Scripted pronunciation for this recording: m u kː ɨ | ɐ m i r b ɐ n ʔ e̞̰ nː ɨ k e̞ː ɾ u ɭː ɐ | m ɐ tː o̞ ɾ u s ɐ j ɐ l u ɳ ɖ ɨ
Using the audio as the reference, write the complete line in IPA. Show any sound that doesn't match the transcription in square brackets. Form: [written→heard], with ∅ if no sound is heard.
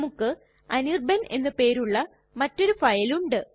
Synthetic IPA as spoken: m u kː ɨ | ɐ [m→n] i r b ɐ n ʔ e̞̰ nː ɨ [k→p] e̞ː ɾ u ɭː ɐ | m ɐ tː o̞ ɾ u [s→f] ɐ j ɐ l u ɳ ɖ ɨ